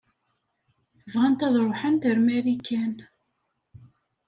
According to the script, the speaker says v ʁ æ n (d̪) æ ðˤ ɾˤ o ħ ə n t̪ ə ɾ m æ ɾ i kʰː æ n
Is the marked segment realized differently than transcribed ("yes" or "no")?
yes